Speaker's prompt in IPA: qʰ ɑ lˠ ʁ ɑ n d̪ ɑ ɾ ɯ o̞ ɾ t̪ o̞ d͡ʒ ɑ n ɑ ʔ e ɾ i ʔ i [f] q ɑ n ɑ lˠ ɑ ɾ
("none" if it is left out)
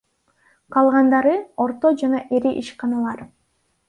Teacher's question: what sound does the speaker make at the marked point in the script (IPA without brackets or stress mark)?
ʃ